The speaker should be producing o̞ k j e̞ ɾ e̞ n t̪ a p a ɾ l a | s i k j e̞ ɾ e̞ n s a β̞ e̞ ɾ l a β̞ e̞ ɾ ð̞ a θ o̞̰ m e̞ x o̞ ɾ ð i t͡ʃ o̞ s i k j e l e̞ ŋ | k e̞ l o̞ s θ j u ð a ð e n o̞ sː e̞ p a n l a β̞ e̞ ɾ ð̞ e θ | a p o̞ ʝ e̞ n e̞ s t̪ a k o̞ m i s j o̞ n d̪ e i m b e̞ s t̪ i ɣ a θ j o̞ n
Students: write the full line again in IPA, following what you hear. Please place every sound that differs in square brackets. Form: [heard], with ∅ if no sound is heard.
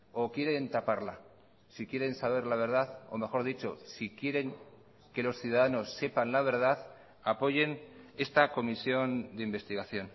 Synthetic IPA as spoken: o̞ k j e̞ ɾ e̞ n t̪ a p a ɾ l a | s i k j e̞ ɾ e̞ n s a β̞ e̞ ɾ l a β̞ e̞ ɾ ð̞ a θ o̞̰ m e̞ x o̞ ɾ ð i t͡ʃ o̞ s i k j e [ɾ] e̞ ŋ | k e̞ l o̞ s θ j u ð a ð [a] n o̞ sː e̞ p a n l a β̞ e̞ ɾ ð̞ [a] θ | a p o̞ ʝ e̞ n e̞ s t̪ a k o̞ m i s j o̞ n d̪ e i m b e̞ s t̪ i ɣ a θ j o̞ n